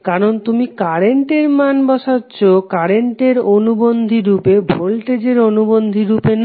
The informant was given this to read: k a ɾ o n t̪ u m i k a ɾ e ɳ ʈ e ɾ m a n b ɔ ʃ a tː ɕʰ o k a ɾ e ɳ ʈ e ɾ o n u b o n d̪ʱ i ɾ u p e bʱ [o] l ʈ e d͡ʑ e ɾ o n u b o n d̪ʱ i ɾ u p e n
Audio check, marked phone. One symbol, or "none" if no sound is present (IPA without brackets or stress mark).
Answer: o